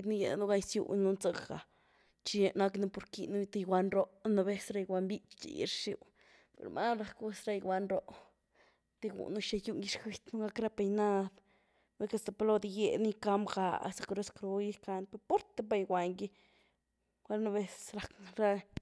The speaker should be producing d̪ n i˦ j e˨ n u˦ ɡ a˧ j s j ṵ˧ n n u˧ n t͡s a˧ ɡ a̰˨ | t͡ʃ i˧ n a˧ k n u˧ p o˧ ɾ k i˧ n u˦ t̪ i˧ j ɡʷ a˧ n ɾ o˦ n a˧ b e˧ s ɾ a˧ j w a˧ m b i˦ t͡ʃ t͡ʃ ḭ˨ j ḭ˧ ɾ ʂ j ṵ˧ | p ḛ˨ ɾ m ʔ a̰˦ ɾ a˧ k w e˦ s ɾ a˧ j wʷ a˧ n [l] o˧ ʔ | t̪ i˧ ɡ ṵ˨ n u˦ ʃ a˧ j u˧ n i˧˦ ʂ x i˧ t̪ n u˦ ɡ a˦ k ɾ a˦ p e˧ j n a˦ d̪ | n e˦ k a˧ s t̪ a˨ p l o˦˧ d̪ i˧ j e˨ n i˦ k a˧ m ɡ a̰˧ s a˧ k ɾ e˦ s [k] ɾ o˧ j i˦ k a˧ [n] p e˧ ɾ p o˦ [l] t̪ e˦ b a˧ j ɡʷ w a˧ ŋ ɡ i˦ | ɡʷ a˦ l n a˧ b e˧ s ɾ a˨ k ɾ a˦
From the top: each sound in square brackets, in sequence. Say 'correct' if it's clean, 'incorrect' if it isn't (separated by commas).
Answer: incorrect, correct, correct, incorrect